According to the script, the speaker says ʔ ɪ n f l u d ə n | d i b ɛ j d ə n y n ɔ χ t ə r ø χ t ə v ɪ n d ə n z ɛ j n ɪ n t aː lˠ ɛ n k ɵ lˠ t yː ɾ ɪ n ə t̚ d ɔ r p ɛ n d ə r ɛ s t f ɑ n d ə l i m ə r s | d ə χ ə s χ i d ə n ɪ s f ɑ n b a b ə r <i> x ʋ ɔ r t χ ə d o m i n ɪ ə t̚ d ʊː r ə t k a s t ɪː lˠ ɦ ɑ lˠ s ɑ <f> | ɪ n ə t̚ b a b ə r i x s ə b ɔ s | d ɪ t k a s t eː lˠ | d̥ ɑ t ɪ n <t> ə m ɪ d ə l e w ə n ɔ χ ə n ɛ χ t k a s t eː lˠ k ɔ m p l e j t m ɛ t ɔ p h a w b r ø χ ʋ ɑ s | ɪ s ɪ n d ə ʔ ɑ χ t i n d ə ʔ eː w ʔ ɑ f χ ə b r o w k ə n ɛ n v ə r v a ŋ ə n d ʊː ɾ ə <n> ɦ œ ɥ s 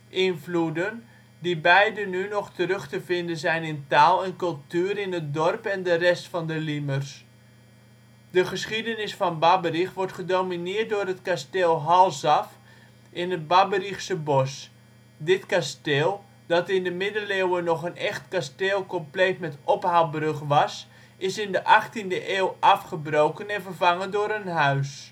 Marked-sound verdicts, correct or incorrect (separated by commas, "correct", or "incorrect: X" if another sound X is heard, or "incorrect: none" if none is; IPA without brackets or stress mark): correct, correct, incorrect: d, correct